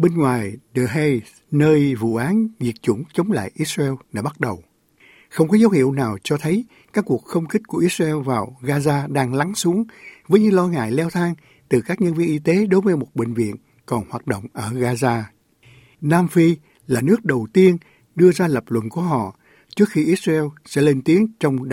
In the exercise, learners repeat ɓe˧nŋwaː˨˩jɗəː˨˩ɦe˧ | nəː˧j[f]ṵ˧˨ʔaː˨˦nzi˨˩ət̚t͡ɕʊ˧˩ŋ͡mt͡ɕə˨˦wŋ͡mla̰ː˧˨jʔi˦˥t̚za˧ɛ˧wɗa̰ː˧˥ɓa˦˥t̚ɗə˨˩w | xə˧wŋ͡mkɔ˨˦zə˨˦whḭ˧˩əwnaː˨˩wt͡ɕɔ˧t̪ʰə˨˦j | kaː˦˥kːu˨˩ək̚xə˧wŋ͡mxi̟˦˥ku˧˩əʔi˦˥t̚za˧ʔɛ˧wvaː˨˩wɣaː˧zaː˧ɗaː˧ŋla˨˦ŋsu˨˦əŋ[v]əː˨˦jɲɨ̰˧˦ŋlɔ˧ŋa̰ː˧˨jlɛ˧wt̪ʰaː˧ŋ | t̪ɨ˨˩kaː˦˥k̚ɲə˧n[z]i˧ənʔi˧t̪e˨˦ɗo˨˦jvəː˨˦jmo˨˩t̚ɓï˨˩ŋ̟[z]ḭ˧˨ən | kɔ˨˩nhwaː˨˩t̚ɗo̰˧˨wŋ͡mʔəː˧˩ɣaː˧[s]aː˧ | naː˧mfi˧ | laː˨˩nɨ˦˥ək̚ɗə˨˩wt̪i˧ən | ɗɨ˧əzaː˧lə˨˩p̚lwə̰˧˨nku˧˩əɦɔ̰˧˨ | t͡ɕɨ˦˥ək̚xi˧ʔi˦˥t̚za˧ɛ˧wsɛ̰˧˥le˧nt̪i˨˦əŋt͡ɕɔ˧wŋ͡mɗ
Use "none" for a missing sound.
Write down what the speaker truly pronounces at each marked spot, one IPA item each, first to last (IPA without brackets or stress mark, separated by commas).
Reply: v, v, v, v, z